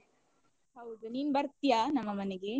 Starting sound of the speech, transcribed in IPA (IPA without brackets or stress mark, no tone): ɐ